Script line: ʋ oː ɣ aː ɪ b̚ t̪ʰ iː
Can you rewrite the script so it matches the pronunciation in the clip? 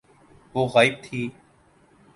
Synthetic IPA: ʋ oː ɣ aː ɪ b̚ t̪ʰ iː